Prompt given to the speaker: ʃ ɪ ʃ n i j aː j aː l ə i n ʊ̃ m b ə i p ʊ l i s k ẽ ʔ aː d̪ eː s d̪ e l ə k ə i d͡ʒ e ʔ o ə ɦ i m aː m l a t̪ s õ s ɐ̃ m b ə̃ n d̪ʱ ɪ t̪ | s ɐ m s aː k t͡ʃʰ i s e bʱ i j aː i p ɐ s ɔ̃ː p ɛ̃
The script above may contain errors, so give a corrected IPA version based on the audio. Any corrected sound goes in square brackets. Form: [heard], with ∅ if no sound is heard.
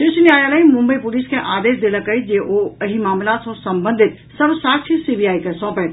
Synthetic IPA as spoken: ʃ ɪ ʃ n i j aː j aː l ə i [m] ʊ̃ m b ə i p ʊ l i s k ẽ ʔ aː d̪ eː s d̪ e l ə k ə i d͡ʒ e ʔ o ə ɦ i m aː m l a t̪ s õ s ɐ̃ m b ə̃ n d̪ʱ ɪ t̪ | s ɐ [b] s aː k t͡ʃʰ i s [i] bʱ i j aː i [k] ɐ s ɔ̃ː p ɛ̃